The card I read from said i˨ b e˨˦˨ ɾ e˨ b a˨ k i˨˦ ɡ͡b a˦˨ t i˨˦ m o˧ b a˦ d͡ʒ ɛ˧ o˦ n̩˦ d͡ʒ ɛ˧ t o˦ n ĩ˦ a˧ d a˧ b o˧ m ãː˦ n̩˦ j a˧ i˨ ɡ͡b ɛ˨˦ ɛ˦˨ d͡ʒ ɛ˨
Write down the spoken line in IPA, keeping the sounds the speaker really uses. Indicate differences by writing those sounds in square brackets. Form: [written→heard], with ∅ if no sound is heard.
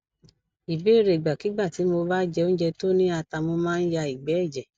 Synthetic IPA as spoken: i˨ b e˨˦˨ ɾ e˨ [b→ɡ͡b] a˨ k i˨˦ ɡ͡b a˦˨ t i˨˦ m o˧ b a˦ d͡ʒ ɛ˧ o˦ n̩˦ d͡ʒ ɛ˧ t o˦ n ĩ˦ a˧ [d→t] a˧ [b→m] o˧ m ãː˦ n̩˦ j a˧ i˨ ɡ͡b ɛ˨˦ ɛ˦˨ d͡ʒ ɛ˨